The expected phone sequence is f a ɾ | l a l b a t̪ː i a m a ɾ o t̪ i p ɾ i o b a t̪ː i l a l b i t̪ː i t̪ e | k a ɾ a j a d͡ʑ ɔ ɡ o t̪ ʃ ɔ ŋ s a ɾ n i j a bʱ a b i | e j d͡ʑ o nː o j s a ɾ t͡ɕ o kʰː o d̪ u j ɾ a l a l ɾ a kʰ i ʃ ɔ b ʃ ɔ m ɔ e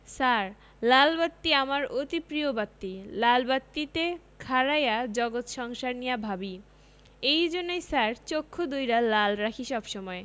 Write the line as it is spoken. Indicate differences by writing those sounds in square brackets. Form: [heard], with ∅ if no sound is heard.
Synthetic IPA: [s] a ɾ | l a l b a t̪ː i a m a ɾ o t̪ i p ɾ i o b a t̪ː i l a l b [a] t̪ː i t̪ e | [kʰ] a ɾ a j a d͡ʑ ɔ ɡ o t̪ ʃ ɔ ŋ [ʃ] a ɾ n i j a bʱ a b i | e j d͡ʑ o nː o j s a ɾ t͡ɕ o kʰː o d̪ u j ɾ a l a l ɾ a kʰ i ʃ ɔ b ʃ ɔ m ɔ e